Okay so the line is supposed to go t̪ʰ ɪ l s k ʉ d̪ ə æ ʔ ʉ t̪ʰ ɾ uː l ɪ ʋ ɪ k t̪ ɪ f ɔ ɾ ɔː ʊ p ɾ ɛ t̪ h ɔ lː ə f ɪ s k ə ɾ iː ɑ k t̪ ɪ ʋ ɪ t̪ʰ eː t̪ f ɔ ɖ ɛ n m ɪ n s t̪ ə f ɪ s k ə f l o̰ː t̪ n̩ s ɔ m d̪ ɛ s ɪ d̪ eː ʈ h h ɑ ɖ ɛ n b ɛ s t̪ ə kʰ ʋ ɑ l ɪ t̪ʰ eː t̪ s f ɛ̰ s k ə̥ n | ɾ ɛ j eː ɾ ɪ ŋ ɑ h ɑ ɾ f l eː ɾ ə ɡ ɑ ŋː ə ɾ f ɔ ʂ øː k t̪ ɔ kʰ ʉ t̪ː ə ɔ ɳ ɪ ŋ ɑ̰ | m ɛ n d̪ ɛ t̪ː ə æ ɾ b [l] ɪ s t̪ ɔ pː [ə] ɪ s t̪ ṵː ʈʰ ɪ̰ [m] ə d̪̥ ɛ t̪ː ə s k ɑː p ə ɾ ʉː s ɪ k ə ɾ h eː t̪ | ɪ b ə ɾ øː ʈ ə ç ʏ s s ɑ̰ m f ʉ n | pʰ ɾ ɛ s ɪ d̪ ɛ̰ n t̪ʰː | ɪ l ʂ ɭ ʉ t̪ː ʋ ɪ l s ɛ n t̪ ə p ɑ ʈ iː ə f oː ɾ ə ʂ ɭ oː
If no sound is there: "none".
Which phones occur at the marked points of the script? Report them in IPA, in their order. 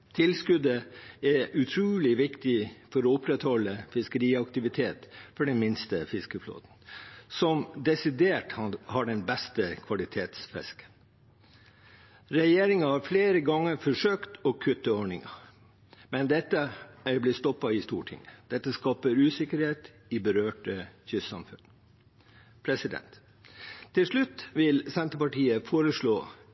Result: l, ɑ, ŋ

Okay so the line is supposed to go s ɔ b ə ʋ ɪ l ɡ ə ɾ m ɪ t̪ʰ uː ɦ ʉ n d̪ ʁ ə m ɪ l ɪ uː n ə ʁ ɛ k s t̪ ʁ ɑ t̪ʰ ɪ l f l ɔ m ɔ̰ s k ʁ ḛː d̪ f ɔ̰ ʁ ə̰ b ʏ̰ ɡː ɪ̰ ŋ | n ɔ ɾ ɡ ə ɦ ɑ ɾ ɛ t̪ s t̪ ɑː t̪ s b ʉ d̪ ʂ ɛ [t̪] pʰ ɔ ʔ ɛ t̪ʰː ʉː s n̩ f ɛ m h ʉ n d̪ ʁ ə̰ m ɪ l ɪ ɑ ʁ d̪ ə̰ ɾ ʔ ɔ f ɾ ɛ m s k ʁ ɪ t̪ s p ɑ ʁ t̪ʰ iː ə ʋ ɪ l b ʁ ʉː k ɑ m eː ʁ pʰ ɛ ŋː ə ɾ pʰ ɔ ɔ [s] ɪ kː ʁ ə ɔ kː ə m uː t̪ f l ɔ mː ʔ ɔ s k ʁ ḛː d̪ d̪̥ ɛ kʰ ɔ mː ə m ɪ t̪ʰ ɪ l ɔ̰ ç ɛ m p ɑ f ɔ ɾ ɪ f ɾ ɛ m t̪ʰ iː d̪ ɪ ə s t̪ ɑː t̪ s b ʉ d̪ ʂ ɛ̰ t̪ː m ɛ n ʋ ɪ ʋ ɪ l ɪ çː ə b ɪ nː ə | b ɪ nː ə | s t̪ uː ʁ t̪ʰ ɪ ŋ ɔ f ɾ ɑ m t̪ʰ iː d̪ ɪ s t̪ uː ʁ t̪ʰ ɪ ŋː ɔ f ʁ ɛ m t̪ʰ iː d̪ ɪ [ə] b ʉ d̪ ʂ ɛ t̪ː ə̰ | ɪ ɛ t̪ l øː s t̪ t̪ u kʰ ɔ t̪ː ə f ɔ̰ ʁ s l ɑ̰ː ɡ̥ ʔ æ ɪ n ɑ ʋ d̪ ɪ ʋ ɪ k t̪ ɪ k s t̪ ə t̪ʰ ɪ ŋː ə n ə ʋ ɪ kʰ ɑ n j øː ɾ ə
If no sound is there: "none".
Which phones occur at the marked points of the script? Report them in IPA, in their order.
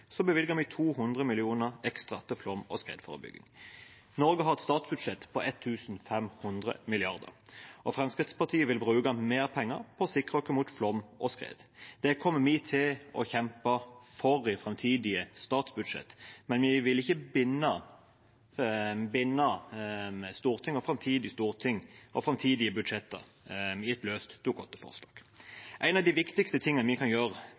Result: t̪, s, ə

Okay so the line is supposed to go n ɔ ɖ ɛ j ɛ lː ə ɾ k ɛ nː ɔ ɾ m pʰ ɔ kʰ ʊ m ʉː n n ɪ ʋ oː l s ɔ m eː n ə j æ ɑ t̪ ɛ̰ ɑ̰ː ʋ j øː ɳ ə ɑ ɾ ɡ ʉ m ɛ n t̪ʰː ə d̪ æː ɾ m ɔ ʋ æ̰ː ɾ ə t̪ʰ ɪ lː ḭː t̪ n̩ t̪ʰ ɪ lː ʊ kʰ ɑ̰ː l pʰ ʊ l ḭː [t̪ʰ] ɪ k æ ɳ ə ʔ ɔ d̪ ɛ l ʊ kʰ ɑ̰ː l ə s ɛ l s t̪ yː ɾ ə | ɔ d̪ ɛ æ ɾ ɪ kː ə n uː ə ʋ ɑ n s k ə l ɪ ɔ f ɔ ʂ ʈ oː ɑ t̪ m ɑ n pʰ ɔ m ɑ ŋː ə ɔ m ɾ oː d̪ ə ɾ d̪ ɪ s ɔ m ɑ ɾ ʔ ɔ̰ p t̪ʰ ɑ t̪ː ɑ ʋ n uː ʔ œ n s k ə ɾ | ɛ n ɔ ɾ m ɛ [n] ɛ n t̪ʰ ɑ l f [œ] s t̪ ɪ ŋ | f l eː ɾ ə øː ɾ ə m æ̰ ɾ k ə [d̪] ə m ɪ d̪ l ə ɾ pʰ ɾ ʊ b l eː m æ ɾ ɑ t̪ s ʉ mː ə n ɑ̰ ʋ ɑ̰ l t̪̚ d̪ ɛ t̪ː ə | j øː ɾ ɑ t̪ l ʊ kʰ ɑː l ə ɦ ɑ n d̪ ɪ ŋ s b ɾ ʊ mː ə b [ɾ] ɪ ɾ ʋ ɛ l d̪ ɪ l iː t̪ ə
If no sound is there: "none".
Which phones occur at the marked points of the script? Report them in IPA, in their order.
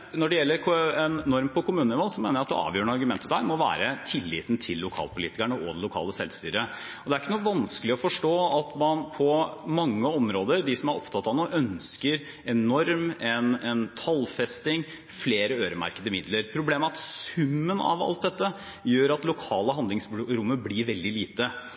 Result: t̪, n, ɛ, d̪, l

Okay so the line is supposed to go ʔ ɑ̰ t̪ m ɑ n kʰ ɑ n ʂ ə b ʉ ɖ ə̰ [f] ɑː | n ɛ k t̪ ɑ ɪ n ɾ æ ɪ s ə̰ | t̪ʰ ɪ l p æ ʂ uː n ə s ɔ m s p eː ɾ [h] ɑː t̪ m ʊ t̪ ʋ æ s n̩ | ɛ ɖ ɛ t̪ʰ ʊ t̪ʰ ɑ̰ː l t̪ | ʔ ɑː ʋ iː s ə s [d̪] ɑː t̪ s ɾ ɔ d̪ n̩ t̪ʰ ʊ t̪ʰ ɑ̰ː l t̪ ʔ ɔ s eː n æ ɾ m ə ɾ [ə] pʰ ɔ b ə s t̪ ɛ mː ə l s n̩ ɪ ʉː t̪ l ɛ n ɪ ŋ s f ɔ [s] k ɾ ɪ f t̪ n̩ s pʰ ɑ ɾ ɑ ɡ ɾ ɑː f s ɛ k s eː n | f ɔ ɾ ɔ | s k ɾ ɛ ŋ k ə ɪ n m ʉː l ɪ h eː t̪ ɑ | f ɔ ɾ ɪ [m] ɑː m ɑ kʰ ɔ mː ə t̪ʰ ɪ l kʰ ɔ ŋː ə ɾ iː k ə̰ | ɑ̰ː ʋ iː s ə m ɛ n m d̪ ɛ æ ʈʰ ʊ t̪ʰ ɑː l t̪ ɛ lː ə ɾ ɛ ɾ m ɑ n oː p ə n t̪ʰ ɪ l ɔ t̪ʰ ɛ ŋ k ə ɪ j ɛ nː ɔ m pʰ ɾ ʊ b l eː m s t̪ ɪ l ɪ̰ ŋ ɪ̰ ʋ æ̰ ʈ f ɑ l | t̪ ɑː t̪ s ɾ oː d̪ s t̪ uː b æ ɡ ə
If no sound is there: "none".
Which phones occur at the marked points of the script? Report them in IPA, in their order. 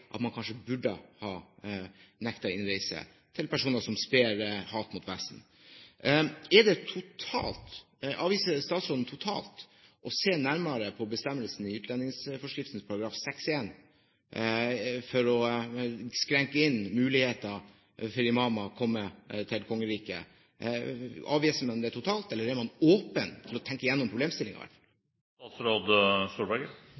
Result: h, h, t̪, ə, ʂ, m

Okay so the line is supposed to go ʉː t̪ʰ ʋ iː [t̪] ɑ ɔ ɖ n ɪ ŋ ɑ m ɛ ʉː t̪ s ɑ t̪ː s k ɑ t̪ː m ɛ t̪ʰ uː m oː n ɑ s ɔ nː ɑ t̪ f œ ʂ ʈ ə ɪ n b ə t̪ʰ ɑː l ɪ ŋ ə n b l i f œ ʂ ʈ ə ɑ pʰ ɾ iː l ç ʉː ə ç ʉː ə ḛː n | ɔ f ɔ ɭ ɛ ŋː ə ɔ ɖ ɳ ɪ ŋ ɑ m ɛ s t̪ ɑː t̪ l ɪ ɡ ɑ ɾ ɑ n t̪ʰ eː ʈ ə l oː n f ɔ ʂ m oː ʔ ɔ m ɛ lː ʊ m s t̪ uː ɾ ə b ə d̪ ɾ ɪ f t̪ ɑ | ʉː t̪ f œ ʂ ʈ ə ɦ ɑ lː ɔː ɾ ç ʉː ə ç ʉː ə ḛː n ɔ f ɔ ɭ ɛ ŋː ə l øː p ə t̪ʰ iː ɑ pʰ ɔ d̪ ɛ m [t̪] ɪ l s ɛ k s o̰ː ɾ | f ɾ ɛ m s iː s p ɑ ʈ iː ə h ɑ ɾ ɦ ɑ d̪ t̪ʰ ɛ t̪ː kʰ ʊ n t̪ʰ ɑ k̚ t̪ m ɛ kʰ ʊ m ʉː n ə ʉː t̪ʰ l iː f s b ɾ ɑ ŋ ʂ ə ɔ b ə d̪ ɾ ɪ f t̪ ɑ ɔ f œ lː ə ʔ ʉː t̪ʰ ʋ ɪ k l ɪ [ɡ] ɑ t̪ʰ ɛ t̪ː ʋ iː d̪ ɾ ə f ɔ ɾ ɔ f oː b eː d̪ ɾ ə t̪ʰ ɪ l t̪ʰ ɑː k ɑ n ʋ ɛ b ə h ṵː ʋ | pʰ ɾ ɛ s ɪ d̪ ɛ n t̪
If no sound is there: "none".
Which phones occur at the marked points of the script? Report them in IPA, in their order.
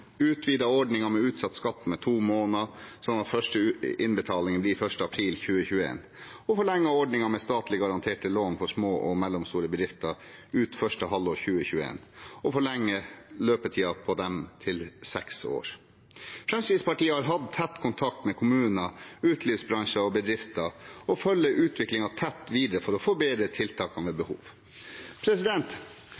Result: d̪, t̪ʰ, ŋ

